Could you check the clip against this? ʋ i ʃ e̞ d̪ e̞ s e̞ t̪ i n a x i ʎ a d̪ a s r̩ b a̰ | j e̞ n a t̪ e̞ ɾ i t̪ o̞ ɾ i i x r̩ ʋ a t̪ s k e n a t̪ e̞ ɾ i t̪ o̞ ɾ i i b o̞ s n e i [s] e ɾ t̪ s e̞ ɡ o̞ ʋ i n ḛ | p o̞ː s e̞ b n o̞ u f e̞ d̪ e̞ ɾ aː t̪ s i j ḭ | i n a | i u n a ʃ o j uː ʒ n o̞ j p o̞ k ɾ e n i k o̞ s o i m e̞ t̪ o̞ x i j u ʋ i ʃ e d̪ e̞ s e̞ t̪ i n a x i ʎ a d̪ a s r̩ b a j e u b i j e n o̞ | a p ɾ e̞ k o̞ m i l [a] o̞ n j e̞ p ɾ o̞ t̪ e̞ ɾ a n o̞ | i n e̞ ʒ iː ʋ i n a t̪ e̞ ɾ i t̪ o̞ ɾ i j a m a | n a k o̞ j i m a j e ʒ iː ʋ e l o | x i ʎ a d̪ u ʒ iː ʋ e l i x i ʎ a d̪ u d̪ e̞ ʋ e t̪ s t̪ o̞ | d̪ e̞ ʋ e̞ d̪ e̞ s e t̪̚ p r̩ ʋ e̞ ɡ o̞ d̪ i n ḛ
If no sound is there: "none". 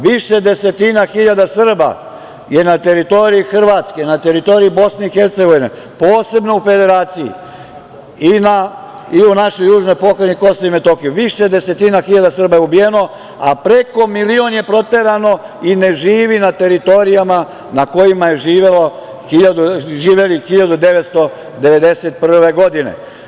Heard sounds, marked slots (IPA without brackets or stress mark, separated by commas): x, i